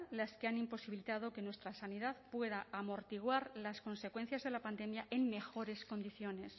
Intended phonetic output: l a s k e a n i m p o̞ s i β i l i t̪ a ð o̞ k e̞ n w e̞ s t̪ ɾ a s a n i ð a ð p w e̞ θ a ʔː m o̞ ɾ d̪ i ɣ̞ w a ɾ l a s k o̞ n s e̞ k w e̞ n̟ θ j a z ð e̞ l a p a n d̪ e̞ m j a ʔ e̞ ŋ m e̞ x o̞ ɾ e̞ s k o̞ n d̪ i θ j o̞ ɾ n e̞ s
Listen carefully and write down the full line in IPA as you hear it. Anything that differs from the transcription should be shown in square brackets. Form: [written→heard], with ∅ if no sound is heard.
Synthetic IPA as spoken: l a s k e a n i m p o̞ s i β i l i t̪ a ð o̞ k e̞ n w e̞ s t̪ ɾ a s a n i ð a ð p w e̞ [θ→ð] a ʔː m o̞ ɾ [d̪→t̪] i ɣ̞ w a ɾ l a s k o̞ n s e̞ k w e̞ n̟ θ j a z ð e̞ l a p a n d̪ e̞ m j a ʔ e̞ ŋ m e̞ x o̞ ɾ e̞ s k o̞ n d̪ i θ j o̞ [ɾ→∅] n e̞ s